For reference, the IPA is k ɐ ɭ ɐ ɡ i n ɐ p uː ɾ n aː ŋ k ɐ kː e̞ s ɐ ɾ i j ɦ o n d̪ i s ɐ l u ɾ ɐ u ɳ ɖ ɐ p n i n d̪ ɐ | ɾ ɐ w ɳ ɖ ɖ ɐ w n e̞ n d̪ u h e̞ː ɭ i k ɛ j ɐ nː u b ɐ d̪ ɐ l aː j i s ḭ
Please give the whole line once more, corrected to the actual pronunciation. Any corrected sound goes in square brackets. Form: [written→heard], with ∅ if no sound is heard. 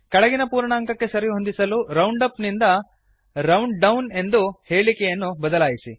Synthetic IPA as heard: k ɐ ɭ ɐ ɡ i n ɐ p uː ɾ [n→ɳ] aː ŋ k ɐ kː e̞ s ɐ ɾ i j ɦ o n d̪ i s ɐ l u ɾ ɐ [u→w] ɳ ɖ ɐ p n i n d̪ ɐ | ɾ ɐ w ɳ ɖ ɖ ɐ w n e̞ n d̪ u h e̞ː ɭ i k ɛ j ɐ nː u b ɐ d̪ ɐ l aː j i s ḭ

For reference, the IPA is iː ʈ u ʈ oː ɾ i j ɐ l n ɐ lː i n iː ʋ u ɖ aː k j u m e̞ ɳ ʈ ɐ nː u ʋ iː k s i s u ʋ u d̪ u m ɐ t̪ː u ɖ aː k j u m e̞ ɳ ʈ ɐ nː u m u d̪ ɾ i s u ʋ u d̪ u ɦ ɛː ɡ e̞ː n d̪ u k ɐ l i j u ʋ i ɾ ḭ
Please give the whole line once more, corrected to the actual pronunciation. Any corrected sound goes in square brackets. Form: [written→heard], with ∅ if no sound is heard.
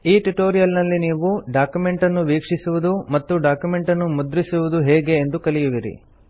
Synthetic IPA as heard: iː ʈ u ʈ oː ɾ i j ɐ l n ɐ lː i n iː ʋ u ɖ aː k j u m e̞ ɳ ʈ ɐ nː u ʋ iː k [s→ʂ] i s u ʋ u d̪ u m ɐ t̪ː u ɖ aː k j u m e̞ ɳ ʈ ɐ nː u m u d̪ ɾ i s u ʋ u d̪ u ɦ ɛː ɡ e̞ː n d̪ u k ɐ l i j u ʋ i ɾ ḭ

